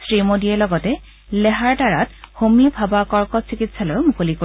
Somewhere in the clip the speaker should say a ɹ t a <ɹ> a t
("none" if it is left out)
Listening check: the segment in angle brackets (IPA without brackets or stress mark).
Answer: ɹ